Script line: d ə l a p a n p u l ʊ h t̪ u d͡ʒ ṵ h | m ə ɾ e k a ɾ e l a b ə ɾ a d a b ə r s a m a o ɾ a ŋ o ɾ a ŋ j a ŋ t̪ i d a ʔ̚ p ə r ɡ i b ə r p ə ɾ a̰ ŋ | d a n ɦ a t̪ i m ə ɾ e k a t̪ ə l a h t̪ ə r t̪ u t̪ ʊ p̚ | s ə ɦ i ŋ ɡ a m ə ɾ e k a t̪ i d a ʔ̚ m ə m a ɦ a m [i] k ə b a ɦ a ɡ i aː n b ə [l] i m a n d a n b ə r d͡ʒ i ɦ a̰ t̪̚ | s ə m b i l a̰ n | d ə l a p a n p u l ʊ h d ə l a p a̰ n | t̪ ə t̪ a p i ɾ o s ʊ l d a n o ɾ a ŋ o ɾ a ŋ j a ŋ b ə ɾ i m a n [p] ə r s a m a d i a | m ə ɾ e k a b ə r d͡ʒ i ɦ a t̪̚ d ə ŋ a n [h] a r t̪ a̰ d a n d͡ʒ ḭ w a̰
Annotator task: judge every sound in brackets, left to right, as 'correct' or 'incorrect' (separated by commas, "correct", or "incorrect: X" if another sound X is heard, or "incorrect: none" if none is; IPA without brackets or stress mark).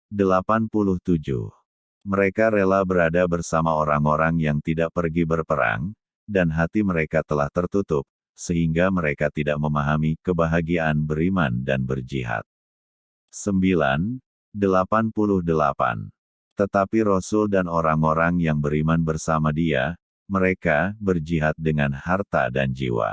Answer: correct, incorrect: ɾ, incorrect: b, correct